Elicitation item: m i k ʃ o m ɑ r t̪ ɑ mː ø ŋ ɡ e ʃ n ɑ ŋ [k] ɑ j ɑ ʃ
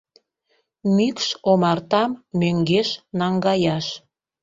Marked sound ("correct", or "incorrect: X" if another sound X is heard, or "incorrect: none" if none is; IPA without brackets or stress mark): incorrect: ɡ